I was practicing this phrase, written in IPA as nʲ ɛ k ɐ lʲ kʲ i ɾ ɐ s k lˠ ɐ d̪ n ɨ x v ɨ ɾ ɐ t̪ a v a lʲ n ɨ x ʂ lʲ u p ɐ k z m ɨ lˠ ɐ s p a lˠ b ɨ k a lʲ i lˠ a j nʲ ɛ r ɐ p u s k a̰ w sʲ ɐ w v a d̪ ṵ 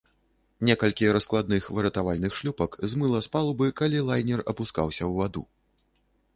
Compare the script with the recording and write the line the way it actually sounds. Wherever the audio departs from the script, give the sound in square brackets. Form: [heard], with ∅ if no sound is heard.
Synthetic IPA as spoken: nʲ ɛ k ɐ lʲ kʲ i ɾ ɐ s k lˠ [a] d̪ n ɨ x v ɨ ɾ ɐ t̪ a v a lʲ n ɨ x ʂ lʲ u p ɐ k z m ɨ lˠ ɐ s p a lˠ b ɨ k a lʲ i lˠ a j nʲ ɛ r ɐ p u s k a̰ w sʲ ɐ w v a d̪ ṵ